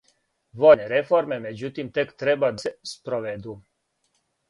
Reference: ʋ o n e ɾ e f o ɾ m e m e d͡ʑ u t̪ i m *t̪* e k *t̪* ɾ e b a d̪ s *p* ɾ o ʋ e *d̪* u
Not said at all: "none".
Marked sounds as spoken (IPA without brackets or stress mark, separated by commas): t̪, t̪, p, d̪